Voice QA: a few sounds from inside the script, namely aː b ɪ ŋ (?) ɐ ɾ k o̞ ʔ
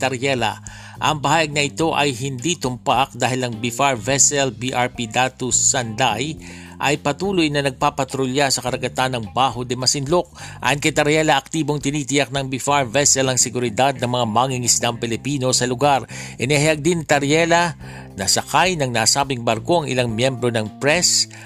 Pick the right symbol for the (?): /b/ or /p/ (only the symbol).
b